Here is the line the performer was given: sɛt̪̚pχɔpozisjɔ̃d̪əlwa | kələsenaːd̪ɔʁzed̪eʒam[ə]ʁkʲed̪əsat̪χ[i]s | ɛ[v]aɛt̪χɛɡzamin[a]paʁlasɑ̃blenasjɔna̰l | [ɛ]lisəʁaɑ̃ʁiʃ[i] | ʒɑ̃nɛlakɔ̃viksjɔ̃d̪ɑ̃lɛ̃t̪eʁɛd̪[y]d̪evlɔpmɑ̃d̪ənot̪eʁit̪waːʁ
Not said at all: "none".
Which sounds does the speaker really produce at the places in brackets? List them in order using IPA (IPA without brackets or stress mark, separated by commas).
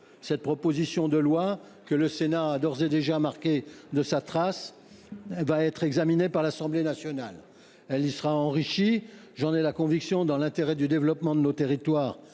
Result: a, a, v, e, ɛ, i, y